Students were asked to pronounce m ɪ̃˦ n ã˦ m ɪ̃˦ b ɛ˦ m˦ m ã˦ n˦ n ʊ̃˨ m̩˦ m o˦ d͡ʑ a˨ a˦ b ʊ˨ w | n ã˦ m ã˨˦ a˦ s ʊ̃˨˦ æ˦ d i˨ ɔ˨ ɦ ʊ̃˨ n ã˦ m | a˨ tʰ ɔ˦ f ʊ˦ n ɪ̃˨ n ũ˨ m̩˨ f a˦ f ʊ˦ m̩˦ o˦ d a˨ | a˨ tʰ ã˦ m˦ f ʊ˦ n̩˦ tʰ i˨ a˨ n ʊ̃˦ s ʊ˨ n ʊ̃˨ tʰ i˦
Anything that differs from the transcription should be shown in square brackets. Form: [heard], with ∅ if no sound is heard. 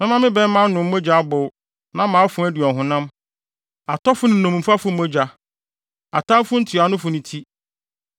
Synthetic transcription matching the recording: m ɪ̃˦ [m] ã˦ m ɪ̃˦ b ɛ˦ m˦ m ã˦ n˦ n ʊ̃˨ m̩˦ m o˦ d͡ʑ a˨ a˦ b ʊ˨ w | n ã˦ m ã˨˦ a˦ [f] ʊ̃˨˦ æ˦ d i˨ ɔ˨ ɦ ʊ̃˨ n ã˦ m | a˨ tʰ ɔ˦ f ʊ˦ n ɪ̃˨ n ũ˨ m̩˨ f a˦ f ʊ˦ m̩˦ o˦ [d͡ʑ] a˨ | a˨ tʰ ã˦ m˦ f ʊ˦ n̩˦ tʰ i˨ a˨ n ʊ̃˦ [f] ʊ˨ n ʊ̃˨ tʰ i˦